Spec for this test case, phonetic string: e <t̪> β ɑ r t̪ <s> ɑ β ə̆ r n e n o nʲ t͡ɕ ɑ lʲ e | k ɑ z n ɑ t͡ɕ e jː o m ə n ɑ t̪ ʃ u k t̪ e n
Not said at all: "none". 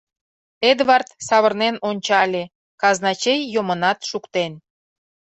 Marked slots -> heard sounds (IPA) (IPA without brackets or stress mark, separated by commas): d̪, s